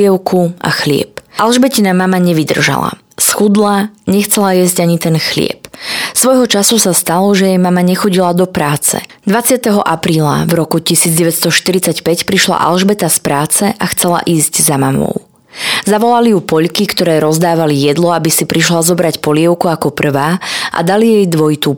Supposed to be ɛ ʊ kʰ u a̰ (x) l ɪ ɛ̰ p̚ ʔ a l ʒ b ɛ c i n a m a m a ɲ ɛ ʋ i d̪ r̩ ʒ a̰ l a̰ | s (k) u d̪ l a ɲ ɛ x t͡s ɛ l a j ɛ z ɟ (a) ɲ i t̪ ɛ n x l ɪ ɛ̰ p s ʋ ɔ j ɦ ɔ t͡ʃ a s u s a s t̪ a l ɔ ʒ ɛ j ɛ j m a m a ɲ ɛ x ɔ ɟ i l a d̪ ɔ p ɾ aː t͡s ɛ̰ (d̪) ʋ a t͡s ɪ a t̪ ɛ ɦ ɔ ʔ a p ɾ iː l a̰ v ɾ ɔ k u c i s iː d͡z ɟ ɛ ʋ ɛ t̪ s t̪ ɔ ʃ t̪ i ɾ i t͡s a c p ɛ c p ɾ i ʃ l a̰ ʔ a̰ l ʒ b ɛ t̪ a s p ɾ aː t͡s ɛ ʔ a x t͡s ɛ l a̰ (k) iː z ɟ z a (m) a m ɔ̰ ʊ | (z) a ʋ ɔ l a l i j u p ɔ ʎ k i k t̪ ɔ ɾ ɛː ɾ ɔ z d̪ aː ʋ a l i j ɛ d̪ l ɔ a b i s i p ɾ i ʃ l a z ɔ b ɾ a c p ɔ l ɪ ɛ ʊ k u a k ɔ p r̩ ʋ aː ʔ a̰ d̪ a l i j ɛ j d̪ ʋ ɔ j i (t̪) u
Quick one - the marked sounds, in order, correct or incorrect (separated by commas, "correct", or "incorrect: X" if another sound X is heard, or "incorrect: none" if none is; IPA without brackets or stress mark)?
correct, incorrect: x, correct, correct, incorrect: ʔ, correct, correct, correct